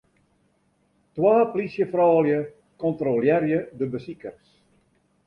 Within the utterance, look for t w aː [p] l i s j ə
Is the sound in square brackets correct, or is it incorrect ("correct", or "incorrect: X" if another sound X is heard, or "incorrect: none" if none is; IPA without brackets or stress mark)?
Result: correct